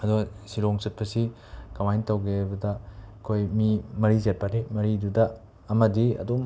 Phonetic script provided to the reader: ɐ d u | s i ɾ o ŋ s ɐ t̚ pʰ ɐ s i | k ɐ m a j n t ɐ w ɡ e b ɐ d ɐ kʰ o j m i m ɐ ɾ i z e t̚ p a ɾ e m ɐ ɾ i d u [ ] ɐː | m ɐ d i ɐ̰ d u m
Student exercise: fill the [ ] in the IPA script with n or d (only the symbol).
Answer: d